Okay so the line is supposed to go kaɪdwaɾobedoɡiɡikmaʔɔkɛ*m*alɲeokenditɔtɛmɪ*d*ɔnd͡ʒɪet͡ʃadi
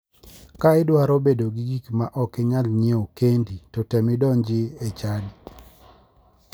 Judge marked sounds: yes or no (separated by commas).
no, yes